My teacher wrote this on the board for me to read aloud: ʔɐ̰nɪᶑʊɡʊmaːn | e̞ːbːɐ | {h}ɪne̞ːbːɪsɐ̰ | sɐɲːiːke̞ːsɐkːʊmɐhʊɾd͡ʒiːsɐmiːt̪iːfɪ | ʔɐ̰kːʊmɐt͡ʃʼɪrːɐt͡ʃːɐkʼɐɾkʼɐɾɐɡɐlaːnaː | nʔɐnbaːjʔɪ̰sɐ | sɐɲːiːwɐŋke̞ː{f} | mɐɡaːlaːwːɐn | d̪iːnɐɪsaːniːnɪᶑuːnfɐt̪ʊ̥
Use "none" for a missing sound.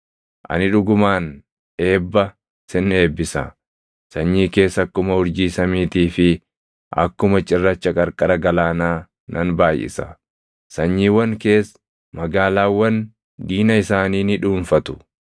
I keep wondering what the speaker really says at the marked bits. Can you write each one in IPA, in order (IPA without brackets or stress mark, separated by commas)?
s, s